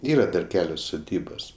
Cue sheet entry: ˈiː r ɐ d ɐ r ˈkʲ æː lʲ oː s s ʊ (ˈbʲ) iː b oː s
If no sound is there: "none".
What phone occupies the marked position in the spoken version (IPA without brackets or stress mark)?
dʲ